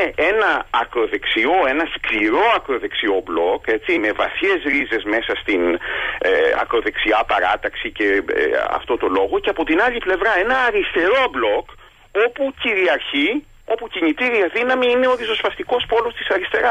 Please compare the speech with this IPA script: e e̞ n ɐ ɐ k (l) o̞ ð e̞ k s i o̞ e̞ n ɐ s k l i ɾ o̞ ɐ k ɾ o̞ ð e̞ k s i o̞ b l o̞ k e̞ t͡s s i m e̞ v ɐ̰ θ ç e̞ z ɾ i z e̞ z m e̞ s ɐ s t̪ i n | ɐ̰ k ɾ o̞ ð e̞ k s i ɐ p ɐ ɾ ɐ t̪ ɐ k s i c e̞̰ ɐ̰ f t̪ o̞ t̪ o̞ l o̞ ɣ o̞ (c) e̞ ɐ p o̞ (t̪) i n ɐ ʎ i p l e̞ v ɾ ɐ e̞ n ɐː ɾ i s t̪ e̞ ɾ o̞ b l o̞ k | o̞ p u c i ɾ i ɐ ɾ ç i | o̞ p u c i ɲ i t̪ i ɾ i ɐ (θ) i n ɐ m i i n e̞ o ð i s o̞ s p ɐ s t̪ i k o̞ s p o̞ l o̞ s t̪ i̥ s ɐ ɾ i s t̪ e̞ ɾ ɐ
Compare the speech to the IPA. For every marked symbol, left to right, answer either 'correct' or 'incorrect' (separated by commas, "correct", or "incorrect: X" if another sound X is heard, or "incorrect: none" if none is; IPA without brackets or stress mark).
incorrect: ɾ, correct, correct, incorrect: ð